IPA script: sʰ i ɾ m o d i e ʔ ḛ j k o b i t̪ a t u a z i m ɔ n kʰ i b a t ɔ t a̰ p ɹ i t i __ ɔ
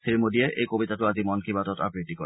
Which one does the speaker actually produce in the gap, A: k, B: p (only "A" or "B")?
A